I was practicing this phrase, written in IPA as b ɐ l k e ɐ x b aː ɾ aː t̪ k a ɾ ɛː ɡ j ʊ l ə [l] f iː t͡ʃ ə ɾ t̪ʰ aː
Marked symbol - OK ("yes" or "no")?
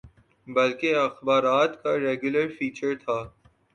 no